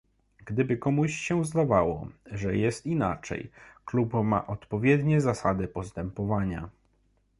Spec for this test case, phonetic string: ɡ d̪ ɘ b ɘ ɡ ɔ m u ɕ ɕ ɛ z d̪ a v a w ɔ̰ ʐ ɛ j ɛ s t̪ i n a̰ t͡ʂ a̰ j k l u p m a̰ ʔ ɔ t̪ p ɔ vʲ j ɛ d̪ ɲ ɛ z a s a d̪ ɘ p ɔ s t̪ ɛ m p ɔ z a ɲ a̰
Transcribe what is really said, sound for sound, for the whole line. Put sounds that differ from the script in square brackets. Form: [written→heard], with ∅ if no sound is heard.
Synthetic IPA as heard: ɡ d̪ ɘ b ɘ [ɡ→k] ɔ m u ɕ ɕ ɛ z d̪ a v a w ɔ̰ ʐ ɛ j ɛ s t̪ i n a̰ t͡ʂ [a̰→ɛ̰] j k l u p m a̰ ʔ ɔ t̪ p ɔ vʲ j ɛ d̪ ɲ ɛ z a s a d̪ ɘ p ɔ s t̪ ɛ m p ɔ [z→v] a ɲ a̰